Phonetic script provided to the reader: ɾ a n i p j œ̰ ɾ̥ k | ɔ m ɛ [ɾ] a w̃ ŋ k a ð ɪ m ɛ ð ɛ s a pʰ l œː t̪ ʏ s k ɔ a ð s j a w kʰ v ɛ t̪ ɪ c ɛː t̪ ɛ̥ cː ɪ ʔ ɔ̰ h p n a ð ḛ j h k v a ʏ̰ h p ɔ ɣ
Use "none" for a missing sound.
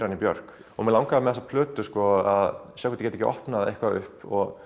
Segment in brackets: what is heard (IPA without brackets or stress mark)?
l